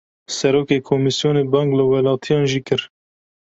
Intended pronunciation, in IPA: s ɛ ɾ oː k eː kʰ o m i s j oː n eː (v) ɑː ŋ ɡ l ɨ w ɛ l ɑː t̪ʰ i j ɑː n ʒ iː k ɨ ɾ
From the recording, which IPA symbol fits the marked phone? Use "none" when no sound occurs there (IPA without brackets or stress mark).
b